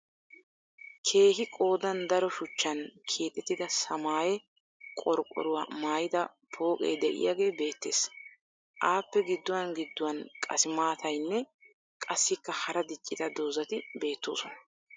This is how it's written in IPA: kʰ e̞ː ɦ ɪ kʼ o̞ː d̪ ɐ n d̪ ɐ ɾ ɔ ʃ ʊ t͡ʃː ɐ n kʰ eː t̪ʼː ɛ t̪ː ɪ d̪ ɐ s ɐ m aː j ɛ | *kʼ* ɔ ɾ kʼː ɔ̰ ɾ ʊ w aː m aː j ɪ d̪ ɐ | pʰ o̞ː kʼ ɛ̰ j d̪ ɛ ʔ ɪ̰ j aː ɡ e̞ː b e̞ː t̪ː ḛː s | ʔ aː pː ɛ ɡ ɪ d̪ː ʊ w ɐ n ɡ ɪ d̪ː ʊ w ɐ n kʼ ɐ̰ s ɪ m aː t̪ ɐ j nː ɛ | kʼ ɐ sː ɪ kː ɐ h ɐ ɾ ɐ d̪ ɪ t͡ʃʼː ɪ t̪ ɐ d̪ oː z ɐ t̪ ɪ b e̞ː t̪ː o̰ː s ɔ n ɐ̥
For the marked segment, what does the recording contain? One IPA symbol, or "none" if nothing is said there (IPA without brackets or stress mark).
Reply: kʼ